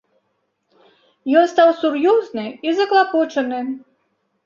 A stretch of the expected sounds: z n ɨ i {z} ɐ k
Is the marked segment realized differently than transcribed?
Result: no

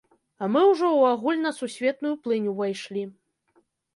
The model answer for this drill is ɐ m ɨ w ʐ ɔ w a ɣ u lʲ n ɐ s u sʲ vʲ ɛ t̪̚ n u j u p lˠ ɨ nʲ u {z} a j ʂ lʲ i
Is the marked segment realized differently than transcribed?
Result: yes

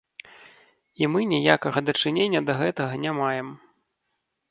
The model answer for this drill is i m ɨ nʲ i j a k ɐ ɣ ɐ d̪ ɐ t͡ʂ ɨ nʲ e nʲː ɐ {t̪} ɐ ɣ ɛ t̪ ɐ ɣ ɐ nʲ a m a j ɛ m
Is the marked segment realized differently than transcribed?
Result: yes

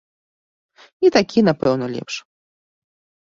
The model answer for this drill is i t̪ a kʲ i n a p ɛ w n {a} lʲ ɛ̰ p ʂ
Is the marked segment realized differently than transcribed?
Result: yes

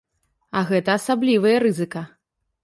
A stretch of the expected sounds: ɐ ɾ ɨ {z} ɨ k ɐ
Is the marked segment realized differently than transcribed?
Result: no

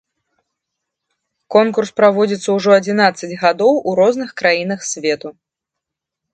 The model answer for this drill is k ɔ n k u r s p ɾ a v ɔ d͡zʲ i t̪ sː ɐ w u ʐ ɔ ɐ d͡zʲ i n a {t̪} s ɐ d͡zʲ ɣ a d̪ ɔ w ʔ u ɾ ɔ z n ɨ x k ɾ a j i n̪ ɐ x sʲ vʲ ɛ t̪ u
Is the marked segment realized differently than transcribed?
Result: no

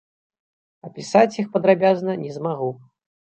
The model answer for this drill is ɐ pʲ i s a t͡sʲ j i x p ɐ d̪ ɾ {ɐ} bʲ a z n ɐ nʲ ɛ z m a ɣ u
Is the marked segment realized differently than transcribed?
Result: yes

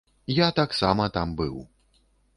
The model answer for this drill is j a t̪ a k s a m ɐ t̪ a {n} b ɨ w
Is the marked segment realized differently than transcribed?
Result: yes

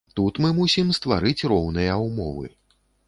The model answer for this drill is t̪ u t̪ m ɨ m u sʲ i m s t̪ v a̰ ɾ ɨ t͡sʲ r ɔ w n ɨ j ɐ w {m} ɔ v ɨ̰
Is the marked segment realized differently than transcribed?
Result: no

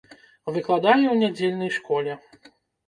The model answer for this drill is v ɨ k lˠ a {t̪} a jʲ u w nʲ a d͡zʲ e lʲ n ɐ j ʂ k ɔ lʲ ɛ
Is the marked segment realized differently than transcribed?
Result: yes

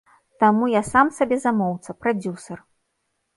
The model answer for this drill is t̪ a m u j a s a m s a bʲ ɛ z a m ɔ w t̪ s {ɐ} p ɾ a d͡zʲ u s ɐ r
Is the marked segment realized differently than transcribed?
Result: no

